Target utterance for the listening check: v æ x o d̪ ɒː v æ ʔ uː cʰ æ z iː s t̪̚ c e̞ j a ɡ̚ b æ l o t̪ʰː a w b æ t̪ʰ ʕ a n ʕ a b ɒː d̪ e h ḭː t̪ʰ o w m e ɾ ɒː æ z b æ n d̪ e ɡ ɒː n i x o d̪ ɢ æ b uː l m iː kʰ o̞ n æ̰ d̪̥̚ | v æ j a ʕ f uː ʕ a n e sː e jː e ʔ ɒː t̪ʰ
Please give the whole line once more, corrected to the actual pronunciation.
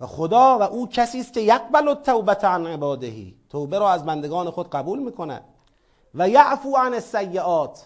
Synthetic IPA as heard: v æ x o d̪ ɒː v æ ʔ uː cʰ æ s iː s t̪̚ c e̞ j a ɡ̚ b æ l o t̪ʰː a w b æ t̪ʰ ʕ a n ʕ e b ɒː d̪ e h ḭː t̪ʰ o w b e ɾ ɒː æ z b æ n d̪ e ɡ ɒː n e x o d̪ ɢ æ b uː l m iː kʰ o̞ n æ̰ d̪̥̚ | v æ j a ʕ f uː ʕ a n e sː æ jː e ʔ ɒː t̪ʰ